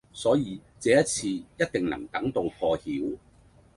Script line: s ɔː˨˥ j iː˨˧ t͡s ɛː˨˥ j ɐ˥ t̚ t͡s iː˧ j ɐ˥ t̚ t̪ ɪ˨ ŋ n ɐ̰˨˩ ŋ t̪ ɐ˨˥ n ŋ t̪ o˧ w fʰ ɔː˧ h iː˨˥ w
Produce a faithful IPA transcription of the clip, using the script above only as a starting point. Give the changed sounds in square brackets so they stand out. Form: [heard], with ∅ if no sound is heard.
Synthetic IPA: s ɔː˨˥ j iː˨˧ t͡s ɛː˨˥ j ɐ˥ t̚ [t͡sʰ] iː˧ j ɐ˥ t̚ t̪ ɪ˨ ŋ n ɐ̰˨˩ ŋ t̪ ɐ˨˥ [∅] ŋ t̪ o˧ w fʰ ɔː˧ h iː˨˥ w